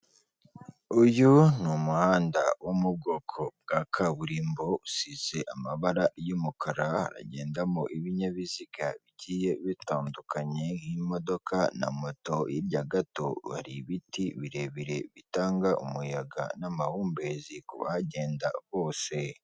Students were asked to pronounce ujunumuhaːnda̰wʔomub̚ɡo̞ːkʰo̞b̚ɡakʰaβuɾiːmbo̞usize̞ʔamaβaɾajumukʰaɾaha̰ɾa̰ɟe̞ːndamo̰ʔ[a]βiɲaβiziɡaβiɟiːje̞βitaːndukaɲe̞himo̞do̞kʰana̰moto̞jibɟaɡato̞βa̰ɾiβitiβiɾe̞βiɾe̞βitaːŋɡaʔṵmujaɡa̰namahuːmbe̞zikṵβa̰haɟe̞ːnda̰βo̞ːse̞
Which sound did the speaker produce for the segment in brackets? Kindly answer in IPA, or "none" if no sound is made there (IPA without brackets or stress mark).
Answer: i